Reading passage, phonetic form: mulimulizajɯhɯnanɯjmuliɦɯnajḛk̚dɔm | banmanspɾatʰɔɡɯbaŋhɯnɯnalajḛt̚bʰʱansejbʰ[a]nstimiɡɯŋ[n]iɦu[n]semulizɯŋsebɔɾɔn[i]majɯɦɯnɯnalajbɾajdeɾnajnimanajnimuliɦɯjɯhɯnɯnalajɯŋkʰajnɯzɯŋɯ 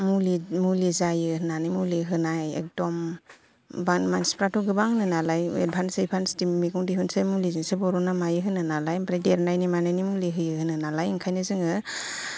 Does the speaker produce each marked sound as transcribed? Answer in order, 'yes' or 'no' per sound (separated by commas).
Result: yes, no, yes, no